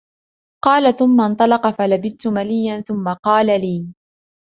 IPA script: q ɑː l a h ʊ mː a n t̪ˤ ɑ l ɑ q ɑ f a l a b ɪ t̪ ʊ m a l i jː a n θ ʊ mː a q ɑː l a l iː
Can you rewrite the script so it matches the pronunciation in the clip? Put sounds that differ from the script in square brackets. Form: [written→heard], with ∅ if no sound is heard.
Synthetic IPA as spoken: q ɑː l a [h→θ] ʊ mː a n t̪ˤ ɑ l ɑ q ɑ f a l a b ɪ t̪ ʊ m a l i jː a n θ ʊ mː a q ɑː l a l iː